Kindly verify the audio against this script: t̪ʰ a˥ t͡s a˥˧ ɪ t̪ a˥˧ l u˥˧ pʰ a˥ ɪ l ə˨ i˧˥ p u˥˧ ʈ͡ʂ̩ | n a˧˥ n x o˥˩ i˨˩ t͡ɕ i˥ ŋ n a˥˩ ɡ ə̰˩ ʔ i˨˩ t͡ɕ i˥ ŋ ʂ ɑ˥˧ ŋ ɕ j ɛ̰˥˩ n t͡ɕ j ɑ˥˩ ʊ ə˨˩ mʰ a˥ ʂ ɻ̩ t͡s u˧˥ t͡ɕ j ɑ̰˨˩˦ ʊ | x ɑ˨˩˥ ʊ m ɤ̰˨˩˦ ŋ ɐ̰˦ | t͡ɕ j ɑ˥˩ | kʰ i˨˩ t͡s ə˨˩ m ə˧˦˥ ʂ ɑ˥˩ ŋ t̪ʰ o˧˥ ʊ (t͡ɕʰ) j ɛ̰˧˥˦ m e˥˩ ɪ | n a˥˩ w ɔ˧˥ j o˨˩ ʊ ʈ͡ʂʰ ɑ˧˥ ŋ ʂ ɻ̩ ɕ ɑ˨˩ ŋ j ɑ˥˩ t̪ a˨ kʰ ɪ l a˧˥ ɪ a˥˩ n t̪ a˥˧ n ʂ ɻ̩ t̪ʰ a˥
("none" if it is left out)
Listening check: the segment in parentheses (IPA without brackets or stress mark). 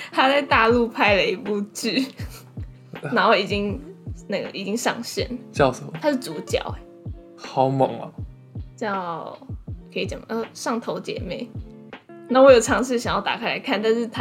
t͡ɕ